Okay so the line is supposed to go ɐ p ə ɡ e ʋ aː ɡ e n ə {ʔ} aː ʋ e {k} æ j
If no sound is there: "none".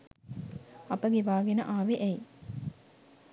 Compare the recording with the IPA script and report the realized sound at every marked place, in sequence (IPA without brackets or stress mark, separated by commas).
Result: ʔ, ʔ